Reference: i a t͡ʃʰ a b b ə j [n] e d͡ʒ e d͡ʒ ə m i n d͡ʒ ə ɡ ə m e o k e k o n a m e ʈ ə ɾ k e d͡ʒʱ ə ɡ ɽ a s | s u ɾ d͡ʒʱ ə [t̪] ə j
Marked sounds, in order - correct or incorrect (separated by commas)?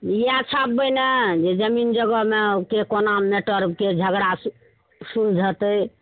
correct, correct